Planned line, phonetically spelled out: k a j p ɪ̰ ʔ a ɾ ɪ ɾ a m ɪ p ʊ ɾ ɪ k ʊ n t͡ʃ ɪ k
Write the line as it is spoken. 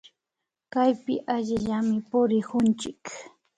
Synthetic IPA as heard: k a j p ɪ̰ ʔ a ʎ ɪ ʎ a m ɪ p ʊ ɾ ɪ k ʊ n t͡ʃ ɪ k